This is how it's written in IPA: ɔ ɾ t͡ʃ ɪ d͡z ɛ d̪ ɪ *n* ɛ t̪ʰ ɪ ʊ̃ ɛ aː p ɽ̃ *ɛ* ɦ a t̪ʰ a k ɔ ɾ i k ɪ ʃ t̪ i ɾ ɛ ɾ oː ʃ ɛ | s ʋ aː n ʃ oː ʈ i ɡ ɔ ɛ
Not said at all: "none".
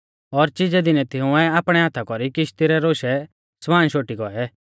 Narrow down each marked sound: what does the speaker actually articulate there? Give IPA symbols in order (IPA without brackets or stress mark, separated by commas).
n, ɛ